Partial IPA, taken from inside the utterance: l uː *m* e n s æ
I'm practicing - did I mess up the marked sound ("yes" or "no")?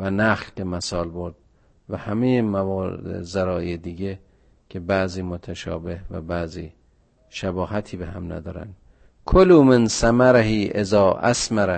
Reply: no